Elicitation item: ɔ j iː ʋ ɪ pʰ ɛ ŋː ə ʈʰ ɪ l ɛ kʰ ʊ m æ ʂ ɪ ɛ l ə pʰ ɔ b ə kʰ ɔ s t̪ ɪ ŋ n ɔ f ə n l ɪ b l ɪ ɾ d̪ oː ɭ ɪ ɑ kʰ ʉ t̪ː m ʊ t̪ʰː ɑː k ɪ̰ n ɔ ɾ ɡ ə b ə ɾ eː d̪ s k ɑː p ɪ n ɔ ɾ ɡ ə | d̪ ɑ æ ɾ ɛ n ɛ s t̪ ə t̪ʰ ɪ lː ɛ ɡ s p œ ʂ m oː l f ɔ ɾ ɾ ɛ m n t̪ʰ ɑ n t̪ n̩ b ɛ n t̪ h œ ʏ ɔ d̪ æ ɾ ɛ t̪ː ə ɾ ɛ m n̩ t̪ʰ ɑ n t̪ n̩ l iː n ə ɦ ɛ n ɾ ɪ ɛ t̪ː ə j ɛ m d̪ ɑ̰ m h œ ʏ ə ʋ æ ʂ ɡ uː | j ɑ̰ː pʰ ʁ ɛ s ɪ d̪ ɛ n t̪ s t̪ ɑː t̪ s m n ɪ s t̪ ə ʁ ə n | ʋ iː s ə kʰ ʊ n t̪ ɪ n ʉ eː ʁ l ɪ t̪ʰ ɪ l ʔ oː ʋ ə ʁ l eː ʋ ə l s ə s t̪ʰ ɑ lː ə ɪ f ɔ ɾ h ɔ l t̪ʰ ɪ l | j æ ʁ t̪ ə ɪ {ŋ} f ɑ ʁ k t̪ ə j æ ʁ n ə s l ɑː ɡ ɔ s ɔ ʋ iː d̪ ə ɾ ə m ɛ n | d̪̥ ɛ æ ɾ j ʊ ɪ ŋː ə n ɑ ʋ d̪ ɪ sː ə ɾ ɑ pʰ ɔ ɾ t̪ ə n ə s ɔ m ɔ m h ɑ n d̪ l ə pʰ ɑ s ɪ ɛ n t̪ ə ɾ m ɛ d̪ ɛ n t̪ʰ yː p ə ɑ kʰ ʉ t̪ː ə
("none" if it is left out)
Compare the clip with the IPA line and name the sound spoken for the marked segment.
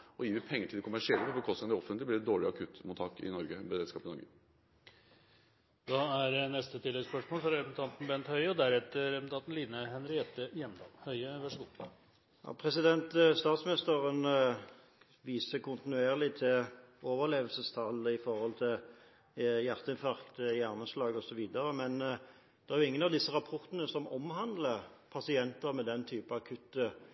n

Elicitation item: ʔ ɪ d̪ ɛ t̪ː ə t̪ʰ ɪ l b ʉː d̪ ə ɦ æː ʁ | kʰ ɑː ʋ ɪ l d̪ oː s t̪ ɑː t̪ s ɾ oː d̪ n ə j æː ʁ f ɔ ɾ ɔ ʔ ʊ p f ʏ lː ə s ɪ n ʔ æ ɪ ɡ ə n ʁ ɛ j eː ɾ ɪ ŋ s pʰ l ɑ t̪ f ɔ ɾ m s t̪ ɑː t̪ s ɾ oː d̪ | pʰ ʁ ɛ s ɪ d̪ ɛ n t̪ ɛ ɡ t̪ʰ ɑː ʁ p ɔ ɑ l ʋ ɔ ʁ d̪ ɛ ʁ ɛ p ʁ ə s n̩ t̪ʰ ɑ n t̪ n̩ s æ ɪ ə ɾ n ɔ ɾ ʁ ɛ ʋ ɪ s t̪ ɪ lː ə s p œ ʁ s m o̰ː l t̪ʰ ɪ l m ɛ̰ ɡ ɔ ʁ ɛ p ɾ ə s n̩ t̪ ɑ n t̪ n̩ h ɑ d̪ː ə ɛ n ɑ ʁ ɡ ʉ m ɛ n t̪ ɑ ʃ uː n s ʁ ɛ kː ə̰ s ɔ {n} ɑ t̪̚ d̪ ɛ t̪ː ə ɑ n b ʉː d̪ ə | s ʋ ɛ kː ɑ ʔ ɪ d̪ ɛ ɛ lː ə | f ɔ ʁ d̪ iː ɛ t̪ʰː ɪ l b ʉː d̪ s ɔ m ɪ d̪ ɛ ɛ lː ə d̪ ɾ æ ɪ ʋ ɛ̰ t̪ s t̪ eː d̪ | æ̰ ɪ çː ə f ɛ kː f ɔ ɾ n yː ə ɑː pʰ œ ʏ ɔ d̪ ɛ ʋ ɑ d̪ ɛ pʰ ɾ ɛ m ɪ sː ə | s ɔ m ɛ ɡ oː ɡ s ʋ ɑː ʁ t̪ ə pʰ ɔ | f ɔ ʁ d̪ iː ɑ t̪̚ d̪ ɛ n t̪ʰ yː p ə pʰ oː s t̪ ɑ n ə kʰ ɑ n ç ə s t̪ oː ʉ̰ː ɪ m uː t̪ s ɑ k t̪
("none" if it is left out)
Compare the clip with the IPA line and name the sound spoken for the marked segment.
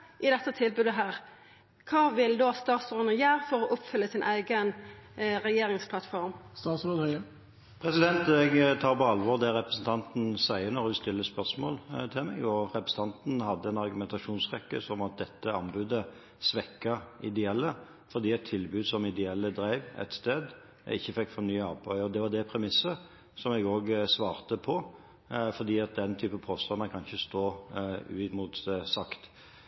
m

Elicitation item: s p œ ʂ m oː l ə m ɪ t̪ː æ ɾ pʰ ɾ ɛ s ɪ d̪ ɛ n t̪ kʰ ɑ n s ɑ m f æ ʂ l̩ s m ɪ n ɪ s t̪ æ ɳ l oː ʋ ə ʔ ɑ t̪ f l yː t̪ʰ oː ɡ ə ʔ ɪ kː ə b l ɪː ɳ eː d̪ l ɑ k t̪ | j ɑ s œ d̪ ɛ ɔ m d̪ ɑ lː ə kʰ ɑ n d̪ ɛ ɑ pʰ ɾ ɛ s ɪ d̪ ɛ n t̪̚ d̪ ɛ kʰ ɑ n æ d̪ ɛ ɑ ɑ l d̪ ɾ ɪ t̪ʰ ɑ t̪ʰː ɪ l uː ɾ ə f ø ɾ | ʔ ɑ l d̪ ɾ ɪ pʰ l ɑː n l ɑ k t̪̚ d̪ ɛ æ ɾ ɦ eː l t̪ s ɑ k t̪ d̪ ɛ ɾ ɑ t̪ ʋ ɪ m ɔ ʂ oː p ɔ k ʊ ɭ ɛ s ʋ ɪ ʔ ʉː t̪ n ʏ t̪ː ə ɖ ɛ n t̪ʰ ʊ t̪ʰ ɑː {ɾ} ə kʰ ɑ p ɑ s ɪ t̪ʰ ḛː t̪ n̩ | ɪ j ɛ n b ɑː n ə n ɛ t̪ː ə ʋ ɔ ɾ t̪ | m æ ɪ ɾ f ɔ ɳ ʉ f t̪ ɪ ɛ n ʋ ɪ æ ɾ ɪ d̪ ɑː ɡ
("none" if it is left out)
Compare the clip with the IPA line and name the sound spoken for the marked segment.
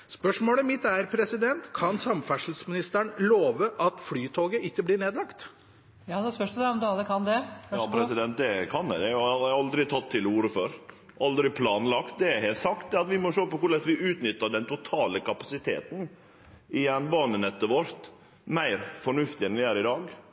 l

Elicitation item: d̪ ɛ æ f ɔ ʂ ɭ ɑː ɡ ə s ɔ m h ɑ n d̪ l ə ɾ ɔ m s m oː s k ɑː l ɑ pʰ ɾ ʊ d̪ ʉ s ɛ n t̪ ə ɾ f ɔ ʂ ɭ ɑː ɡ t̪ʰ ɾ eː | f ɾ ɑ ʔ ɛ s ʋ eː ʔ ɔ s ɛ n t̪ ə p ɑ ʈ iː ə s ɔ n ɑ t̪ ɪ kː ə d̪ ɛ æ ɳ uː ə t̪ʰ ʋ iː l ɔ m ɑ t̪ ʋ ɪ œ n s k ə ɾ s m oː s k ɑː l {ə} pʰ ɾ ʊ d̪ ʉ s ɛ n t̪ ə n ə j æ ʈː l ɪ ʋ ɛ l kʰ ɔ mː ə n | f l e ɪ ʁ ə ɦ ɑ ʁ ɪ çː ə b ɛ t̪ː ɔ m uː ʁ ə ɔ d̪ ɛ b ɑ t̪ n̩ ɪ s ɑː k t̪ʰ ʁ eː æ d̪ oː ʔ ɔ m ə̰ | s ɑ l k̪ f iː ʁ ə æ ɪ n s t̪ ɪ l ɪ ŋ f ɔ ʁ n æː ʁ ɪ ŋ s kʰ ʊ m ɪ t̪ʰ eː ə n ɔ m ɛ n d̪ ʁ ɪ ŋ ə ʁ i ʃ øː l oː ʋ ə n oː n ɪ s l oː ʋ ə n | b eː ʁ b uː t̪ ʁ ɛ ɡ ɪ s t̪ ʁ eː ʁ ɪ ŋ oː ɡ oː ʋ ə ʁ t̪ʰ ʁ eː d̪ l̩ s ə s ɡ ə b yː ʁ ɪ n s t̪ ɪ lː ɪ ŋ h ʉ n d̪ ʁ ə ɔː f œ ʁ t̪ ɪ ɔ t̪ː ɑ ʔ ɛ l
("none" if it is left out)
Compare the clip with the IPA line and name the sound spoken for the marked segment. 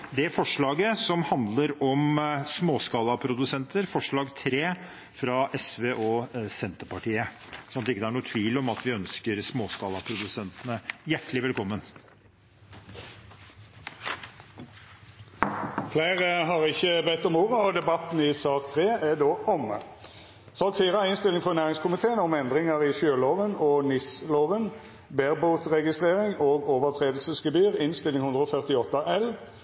ɑ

